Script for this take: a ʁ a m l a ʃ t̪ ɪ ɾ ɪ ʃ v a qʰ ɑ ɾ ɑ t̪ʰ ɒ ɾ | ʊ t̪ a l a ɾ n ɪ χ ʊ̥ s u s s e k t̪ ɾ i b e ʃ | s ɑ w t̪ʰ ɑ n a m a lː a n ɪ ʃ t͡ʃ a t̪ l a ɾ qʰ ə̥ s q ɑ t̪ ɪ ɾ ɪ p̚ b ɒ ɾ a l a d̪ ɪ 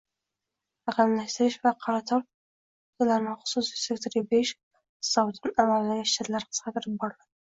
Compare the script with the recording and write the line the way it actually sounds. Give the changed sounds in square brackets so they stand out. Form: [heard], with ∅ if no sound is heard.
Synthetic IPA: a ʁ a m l a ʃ t̪ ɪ ɾ ɪ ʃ v a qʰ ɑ ɾ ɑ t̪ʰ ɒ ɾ | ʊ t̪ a l a ɾ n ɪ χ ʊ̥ s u s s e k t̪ ɾ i b e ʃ | s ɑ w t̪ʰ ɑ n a m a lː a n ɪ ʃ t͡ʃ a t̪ l a ɾ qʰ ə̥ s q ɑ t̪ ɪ ɾ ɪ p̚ b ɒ ɾ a l a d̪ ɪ